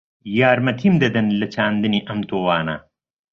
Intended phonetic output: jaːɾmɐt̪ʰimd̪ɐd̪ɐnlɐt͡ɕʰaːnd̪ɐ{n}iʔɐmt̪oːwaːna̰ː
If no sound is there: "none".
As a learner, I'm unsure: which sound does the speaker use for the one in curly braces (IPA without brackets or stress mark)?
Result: n